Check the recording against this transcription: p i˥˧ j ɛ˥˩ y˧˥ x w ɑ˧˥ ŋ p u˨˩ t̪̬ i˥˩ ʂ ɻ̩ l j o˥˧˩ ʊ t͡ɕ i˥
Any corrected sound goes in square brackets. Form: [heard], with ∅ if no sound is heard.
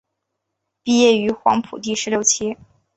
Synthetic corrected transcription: p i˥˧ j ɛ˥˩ y˧˥ x w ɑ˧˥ ŋ [pʰ] u˨˩ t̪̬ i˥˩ ʂ ɻ̩ l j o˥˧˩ ʊ [t͡ɕʰ] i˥